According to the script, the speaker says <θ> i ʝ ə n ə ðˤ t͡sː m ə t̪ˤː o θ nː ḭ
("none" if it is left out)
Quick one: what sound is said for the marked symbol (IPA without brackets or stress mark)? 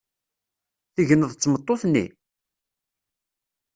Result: θ